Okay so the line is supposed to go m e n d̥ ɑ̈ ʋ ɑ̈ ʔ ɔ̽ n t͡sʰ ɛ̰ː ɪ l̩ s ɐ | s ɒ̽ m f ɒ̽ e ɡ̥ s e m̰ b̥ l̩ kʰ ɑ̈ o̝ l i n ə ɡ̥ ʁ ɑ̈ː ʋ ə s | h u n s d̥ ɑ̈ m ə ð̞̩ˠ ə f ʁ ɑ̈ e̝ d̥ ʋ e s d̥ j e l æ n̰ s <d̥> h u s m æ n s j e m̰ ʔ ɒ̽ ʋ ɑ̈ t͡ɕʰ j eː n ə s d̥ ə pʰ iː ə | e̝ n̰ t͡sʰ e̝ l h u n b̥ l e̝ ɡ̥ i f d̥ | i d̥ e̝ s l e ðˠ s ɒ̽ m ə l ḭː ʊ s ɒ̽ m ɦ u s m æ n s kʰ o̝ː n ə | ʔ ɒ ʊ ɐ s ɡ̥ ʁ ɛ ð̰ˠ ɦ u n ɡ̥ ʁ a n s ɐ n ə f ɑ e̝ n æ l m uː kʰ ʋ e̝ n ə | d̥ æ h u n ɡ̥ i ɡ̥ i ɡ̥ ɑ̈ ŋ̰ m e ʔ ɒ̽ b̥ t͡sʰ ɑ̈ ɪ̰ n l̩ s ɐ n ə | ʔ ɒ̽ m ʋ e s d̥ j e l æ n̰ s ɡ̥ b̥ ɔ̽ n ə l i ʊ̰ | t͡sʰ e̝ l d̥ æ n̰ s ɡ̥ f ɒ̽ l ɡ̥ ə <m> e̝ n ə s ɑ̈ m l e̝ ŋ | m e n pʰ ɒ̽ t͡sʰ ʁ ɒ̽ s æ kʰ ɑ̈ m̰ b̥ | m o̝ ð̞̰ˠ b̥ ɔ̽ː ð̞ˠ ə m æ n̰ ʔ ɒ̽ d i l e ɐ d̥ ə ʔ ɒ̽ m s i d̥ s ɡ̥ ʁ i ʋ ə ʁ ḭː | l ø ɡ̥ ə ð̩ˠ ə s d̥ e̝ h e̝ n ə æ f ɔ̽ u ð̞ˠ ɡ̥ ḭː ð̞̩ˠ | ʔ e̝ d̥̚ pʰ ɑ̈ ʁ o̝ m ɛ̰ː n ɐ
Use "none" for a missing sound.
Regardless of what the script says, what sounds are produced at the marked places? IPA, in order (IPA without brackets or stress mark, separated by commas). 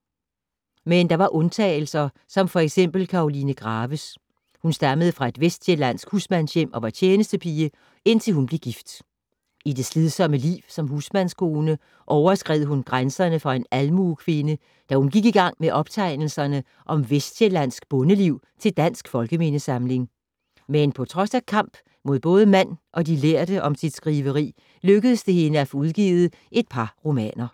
ɡ̥, m